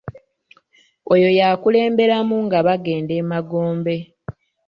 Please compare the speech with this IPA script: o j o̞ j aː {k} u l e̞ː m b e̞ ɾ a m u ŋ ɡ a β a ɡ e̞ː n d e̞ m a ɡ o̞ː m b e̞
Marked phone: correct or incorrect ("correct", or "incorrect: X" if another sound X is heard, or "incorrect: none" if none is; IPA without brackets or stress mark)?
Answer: correct